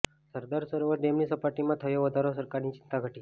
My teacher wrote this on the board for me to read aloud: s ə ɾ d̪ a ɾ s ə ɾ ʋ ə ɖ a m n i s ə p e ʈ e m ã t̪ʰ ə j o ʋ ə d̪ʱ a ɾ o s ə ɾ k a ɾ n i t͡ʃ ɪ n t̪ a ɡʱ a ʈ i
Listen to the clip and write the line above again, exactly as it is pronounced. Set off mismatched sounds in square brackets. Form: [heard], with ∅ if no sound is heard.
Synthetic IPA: s ə ɾ d̪ a ɾ s ə ɾ ʋ ə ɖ [e] m n i s ə p [a] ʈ [i] m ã t̪ʰ ə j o ʋ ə d̪ʱ a ɾ o s ə ɾ k a ɾ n i t͡ʃ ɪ n t̪ a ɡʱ [ə] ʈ i